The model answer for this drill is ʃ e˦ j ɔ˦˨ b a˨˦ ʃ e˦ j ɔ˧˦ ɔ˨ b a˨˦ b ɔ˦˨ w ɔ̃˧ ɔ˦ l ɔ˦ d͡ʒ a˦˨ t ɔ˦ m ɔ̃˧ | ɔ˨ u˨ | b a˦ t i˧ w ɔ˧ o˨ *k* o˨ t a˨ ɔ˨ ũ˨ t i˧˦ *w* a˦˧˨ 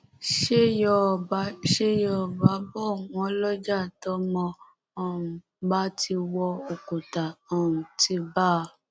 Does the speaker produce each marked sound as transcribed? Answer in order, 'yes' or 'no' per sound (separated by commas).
yes, no